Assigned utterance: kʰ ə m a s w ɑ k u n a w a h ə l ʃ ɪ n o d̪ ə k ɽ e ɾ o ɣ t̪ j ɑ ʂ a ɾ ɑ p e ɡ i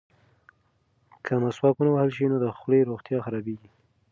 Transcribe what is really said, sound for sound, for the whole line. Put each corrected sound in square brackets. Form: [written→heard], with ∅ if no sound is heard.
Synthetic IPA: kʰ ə m a s w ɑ k u n a w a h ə l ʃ [ɪ→i] n o d̪ ə [k→x] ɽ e ɾ o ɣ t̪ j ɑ [ʂ→x] a ɾ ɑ [p→b] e ɡ i

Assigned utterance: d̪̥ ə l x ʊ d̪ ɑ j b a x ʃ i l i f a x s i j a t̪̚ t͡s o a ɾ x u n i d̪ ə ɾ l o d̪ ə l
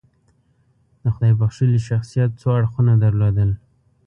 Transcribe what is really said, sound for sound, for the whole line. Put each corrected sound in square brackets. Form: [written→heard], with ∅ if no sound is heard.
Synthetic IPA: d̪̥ ə [l→∅] x ʊ d̪ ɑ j b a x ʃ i l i [f→ʃ] a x s i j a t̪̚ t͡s o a [ɾ→ɽ] x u n [i→a] d̪ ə ɾ l o d̪ ə l

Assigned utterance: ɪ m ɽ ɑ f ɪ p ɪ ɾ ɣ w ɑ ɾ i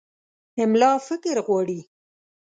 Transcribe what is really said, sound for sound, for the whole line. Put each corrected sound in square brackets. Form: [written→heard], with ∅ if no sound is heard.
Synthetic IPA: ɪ m [ɽ→l] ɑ f ɪ [p→k] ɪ ɾ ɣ w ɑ [ɾ→ɽ] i

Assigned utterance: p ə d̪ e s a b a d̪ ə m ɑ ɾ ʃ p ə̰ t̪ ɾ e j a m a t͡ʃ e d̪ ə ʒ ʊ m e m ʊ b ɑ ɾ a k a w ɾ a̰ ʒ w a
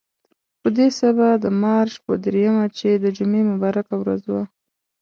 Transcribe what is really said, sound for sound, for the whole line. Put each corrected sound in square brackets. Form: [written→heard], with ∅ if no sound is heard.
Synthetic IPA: p ə d̪ e s a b a d̪ ə m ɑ ɾ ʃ p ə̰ [t̪→d̪] ɾ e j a m a t͡ʃ e d̪ ə [ʒ→d͡ʒ] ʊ m e m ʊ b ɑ ɾ a k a w ɾ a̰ [ʒ→z] w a

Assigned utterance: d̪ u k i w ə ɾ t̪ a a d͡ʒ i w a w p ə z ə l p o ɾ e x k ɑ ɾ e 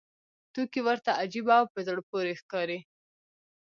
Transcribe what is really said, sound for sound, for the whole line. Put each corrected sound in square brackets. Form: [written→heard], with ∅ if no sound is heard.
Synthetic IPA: [d̪→t̪] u k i w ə ɾ t̪ a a d͡ʒ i [w→b] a w p ə z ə [l→ɽ] p o ɾ e x k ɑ ɾ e

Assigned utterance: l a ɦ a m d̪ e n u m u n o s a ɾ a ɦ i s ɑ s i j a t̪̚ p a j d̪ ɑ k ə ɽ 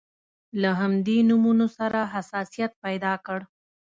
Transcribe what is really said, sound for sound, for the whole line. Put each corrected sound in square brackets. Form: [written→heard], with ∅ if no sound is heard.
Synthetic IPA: l a ɦ a m d̪ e n u m u n o s a ɾ a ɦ [i→a] s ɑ s i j a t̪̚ p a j d̪ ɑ k ə ɽ

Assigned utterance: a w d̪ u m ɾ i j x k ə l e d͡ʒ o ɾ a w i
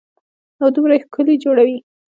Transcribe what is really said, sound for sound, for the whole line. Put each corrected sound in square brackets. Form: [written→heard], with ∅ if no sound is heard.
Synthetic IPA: a w d̪ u m ɾ [i→a] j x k ə l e d͡ʒ o [ɾ→ɽ] a w i

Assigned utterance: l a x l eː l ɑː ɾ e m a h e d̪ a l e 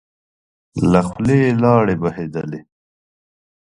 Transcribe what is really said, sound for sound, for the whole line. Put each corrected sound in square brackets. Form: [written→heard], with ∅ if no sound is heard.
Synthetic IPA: l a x l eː l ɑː [ɾ→ɽ] e [m→b] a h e d̪ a l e

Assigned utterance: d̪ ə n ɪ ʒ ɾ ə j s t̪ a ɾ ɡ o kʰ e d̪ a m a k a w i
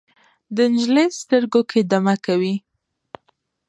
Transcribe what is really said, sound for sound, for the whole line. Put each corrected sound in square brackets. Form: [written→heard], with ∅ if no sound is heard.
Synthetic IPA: d̪ ə n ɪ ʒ [ɾ→l] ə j s t̪ [a→ə] ɾ ɡ o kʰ e d̪ a m a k a w i

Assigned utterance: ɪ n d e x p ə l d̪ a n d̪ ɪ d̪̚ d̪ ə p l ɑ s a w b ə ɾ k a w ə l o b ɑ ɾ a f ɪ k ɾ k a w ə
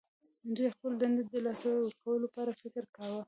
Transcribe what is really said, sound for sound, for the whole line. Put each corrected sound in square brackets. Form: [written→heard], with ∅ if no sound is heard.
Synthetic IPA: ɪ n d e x p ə l d̪ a n d̪ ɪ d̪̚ d̪ ə [p→∅] l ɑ s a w [b→w] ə ɾ k a w ə l o [b→p] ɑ ɾ a f ɪ k ɾ k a w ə

